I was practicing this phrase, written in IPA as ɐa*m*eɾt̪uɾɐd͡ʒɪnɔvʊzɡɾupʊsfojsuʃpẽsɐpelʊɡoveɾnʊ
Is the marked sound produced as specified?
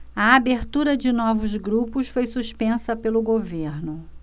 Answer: no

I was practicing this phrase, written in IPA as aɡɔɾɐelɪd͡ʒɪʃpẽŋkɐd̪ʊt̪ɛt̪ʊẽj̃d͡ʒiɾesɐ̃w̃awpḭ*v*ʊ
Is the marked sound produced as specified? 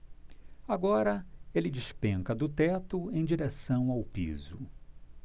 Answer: no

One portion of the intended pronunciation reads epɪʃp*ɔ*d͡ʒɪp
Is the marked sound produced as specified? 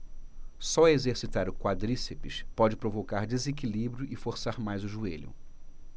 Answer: yes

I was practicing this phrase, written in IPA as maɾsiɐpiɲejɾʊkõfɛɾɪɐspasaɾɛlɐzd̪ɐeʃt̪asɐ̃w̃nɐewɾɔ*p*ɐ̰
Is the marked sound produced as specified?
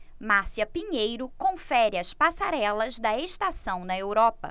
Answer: yes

